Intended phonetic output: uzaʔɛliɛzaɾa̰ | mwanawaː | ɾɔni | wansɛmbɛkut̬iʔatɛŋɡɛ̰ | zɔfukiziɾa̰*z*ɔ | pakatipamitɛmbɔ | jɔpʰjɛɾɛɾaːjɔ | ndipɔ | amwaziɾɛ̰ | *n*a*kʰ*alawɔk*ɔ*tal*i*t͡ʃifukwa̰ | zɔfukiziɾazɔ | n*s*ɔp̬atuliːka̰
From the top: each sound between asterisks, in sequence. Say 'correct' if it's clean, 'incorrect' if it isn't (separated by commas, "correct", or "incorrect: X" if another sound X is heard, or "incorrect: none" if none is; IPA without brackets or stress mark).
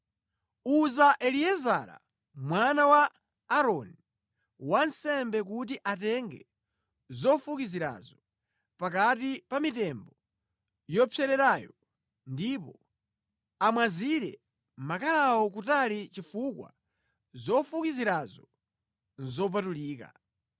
correct, incorrect: m, incorrect: k, incorrect: u, correct, incorrect: z